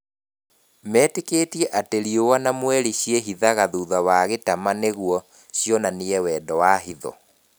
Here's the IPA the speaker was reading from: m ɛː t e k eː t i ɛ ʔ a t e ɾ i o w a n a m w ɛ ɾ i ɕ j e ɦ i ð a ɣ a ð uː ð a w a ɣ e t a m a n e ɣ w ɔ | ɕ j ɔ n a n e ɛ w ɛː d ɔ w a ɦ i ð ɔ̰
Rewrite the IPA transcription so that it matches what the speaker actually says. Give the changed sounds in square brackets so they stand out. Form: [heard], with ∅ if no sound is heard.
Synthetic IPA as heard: m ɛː t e k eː t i ɛ ʔ a t e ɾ i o w a n a m w ɛ ɾ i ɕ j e ɦ i ð a ɣ a ð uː ð a w a ɣ e t a m a n e ɣ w ɔ | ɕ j ɔ n a n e ɛ w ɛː d ɔ w a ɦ i ð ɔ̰

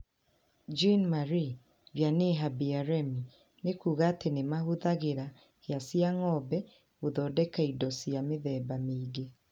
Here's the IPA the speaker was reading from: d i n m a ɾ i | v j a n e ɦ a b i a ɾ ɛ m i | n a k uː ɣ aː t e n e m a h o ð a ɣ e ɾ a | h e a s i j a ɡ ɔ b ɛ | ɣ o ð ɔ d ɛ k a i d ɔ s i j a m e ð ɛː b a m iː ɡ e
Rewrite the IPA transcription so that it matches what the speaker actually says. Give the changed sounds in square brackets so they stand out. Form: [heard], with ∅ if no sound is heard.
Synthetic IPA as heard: [d͡ʒ] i n m a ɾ i | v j a n e ɦ a b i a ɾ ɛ m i | n [e] k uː ɣ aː t e n e m a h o ð a ɣ e ɾ a | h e a s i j a [ŋ] ɔ b ɛ | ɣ o ð ɔ d ɛ k a i d ɔ s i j a m e ð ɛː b a m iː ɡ e

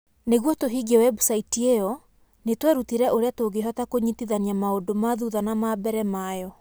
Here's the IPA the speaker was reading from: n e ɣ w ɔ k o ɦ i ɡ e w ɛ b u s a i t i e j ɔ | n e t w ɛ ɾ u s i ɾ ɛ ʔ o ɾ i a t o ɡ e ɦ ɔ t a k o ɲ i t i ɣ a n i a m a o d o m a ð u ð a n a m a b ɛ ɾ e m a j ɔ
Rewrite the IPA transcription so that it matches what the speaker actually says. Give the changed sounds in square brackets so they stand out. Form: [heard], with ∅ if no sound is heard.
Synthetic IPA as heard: n e ɣ w ɔ [t] o ɦ i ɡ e w ɛ b u s a i t i e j ɔ | n e t w ɛ ɾ u [t] i ɾ ɛ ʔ o ɾ [e] a t o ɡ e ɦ ɔ t a k o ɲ i t i [ð] a n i a m a o d o m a ð u ð a n a m a b ɛ ɾ [ɛ] m a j ɔ

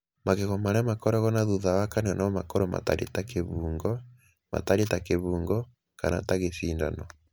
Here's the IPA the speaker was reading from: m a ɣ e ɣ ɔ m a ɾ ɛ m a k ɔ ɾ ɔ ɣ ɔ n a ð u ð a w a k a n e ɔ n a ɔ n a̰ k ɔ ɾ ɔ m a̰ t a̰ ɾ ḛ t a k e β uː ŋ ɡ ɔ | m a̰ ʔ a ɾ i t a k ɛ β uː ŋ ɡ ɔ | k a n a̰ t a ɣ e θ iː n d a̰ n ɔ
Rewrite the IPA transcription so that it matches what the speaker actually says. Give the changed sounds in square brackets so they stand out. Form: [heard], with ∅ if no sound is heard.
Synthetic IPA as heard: m a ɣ e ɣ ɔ m a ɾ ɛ m a k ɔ ɾ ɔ ɣ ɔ n a ð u ð a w a k a n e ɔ n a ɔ [m] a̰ k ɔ ɾ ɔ m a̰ t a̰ ɾ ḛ t a k e β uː ŋ ɡ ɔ | m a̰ [t] a ɾ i t a k [e] β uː ŋ ɡ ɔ | k a n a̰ t a ɣ e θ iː n d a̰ n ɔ

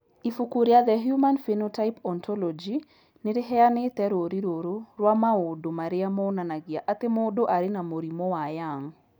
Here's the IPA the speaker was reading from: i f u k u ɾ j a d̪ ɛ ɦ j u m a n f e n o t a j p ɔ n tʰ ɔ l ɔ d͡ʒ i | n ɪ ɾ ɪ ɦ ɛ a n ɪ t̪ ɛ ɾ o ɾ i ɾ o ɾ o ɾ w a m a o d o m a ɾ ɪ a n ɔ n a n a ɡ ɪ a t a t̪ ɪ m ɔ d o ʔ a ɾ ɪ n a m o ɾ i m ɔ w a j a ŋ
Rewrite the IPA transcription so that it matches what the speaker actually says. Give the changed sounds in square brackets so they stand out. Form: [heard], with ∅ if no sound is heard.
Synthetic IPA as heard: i f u k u ɾ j a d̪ ɛ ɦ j u m a n f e n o t a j p ɔ n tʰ ɔ l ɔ d͡ʒ i | n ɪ ɾ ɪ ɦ ɛ a n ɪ t̪ ɛ ɾ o ɾ i ɾ o ɾ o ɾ w a m a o d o m a ɾ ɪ a [m] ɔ n a n a ɡ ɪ a [ʔ] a t̪ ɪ m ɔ d o ʔ a ɾ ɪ n a m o ɾ i m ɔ w a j a ŋ

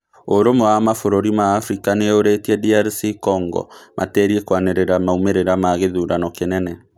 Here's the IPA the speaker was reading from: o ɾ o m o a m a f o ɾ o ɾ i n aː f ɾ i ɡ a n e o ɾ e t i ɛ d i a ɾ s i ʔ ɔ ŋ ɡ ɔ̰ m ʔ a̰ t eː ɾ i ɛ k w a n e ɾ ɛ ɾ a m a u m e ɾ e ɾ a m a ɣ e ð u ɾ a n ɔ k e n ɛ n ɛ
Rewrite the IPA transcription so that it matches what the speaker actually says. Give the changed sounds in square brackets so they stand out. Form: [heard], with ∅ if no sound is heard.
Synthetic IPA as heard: o ɾ o m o a m a f o ɾ o ɾ i [m] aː f ɾ i [k] a n e o ɾ e t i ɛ d i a ɾ s i [k] ɔ ŋ ɡ ɔ̰ m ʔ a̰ t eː ɾ i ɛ k w a n e ɾ [e] ɾ a m a u m e ɾ e ɾ a m a ɣ e ð u ɾ a n ɔ k e n ɛ n ɛ

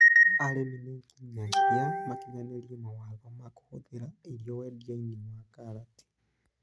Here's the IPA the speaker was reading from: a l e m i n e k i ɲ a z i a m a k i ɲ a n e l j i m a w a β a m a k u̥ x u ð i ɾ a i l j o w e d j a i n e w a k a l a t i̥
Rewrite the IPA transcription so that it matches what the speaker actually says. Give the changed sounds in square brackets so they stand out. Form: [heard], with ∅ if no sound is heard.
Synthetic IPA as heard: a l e m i n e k i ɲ a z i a m a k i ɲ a n e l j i m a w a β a m a k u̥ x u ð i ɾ a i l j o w e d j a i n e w a k a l a t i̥

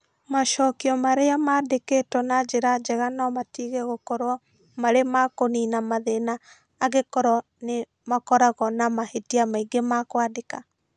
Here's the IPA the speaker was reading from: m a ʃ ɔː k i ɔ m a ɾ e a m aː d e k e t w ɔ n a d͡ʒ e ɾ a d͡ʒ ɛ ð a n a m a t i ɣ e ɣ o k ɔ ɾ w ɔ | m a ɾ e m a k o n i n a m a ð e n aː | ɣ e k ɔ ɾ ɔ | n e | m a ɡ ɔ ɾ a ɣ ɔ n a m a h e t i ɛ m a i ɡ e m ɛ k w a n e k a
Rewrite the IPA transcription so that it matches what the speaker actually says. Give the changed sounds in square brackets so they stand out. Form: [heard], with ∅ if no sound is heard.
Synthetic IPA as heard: m a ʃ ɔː k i ɔ m a ɾ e a m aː d e k e t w ɔ n a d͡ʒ e ɾ a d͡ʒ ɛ [ɣ] a n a m a t i ɣ e ɣ o k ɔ ɾ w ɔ | m a ɾ e m a k o n i n a m a ð e n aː | ɣ e k ɔ ɾ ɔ | n e | m a [k] ɔ ɾ a ɣ ɔ n a m a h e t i [a] m a i ɡ e m [a] k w a [d] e k a

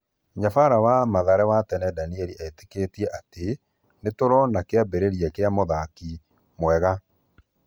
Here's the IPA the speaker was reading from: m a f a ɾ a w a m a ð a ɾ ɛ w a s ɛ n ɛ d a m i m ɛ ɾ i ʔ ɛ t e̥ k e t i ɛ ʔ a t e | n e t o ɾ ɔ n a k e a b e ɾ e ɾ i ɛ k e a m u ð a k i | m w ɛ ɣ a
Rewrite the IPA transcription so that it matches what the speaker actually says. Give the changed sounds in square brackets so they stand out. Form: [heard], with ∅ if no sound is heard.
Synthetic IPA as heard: [ɲ] a f a ɾ a w a m a ð a ɾ ɛ w a [t] ɛ n ɛ d a [n] i [∅] ɛ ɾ i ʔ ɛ t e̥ k e t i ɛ ʔ a t e | n e t o ɾ ɔ n a k e a b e ɾ e ɾ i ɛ k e a m [o] ð a k i | m w ɛ ɣ a

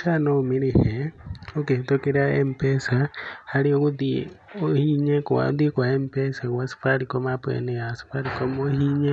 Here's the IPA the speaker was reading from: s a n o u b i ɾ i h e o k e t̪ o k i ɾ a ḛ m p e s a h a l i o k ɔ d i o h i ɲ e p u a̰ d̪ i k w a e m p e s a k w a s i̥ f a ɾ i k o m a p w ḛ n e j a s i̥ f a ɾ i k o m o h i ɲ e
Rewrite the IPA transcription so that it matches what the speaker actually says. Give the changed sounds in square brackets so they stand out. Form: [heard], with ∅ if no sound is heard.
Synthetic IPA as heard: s a n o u [m] i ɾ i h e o k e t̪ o k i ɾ a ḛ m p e s a h a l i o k [u] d i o h i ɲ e [k] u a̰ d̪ i k w a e m p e s a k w a s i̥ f a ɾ i k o m a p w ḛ n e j a s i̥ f a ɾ i k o m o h i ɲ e

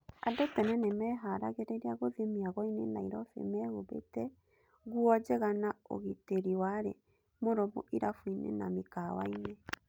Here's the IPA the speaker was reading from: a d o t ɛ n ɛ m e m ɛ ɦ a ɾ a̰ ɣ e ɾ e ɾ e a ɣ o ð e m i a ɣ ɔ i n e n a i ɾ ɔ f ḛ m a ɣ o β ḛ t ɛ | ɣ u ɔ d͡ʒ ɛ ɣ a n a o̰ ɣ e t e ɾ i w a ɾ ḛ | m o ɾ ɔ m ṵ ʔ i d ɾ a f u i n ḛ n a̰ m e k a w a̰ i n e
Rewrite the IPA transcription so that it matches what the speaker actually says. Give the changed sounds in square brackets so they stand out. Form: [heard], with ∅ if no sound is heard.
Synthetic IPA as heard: a d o t ɛ n ɛ [n] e m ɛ ɦ a ɾ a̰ ɣ e ɾ e ɾ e a ɣ o ð e m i a ɣ ɔ i n e n a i ɾ ɔ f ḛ m [ɛ] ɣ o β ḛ t ɛ | ɣ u ɔ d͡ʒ ɛ ɣ a n a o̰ ɣ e t e ɾ i w a ɾ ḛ | m o ɾ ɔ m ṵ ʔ i [∅] ɾ a f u i n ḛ n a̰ m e k a w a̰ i n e

